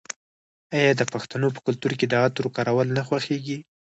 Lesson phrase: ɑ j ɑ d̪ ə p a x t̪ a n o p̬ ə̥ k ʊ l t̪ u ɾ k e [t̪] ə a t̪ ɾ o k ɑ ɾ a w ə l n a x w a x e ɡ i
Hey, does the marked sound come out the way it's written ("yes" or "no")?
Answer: no